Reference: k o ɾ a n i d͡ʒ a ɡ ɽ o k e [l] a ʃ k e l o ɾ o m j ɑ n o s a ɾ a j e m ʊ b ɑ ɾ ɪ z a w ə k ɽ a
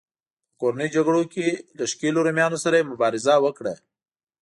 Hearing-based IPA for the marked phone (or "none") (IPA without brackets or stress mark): l